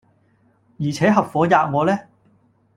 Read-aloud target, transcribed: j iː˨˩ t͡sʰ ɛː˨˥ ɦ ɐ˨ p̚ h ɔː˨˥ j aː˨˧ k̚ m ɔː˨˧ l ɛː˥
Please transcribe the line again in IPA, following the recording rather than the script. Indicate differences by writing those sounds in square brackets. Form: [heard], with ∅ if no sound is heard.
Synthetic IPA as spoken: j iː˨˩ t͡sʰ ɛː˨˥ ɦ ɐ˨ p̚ [f] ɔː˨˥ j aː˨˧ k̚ [ŋ] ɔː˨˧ l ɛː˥